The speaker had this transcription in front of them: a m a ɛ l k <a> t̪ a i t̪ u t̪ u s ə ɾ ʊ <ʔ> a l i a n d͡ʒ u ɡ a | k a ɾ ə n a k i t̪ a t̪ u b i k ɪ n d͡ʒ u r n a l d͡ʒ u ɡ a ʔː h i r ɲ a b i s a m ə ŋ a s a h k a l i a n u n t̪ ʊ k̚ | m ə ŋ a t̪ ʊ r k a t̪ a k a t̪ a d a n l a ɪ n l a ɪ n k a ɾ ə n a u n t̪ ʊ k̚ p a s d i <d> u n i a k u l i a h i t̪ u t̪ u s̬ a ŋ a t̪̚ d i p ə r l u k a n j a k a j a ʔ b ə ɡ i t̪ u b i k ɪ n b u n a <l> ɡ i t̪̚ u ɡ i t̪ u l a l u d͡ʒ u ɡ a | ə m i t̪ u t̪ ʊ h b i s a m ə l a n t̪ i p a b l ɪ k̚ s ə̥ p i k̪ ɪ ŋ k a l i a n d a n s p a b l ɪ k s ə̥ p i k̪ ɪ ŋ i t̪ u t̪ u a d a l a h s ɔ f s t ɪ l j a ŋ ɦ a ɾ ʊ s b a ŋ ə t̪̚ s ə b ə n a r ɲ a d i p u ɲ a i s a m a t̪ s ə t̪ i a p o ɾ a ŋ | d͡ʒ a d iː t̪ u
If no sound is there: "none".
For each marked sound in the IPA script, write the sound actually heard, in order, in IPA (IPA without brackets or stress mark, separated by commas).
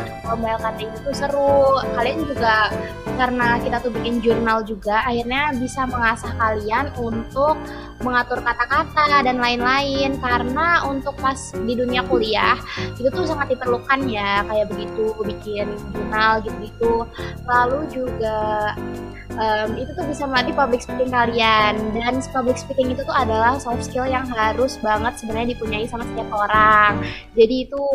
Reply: a, k, d, l